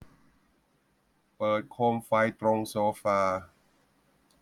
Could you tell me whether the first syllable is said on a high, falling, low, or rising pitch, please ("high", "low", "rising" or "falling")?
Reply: low